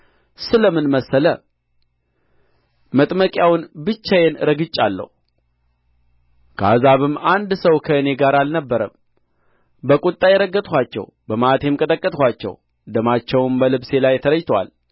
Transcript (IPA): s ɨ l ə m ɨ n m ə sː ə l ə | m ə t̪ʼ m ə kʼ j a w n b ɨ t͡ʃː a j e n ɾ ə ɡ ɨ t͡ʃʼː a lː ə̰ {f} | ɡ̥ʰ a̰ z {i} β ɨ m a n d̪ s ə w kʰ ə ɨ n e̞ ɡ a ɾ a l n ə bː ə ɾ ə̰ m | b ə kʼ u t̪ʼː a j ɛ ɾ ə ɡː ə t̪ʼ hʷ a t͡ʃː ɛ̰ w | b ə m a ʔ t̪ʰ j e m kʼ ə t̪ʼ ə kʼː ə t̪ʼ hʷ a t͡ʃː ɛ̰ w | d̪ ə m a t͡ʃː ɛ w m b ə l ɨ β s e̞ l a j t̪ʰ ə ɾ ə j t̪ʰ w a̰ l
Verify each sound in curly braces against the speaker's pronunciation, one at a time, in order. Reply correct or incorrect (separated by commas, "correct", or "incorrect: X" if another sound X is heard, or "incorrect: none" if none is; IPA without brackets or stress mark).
incorrect: h, incorrect: a